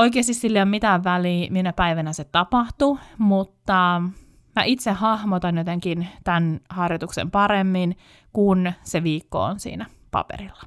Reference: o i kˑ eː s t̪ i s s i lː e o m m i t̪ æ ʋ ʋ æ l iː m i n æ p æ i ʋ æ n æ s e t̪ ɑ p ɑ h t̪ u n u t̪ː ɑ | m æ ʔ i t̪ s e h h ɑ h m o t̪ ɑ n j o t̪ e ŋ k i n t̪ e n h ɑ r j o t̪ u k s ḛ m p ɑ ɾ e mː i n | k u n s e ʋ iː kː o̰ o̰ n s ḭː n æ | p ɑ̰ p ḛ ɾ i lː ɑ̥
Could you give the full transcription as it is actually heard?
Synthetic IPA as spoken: o i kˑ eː s t̪ i s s i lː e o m m i t̪ æ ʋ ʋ æ l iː m i n æ p æ i ʋ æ n æ s e t̪ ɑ p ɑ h t̪ u m u t̪ː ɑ | m æ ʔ i t̪ s e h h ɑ h m o t̪ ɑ n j o t̪ e ŋ k i n t̪ æ n h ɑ r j o t̪ u k s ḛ m p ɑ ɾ e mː i n | k u n s e ʋ iː kː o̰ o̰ n s ḭː n æ | p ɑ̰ p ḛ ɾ i lː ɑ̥